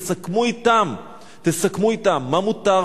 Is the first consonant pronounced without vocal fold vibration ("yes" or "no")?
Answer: yes